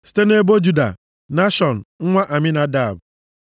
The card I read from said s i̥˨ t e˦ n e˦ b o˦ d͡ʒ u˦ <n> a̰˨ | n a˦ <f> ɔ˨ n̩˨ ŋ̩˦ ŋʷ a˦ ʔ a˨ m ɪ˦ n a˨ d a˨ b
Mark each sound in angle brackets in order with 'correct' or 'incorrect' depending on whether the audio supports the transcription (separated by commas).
incorrect, incorrect